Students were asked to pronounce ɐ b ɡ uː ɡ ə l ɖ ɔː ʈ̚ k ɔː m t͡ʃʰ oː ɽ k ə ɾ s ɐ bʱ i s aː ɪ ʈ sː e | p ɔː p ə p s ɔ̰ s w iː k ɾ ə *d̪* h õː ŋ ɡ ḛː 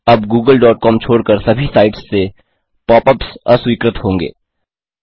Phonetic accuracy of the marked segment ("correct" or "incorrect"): incorrect